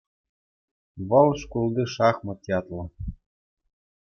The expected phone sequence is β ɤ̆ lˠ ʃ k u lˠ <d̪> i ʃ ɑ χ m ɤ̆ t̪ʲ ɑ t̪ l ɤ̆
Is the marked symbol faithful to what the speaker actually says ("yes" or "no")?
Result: yes